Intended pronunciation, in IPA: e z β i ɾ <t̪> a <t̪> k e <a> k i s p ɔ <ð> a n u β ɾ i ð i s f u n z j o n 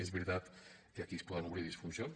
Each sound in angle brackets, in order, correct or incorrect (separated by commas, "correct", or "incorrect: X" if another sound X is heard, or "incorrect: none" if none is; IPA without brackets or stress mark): correct, correct, correct, correct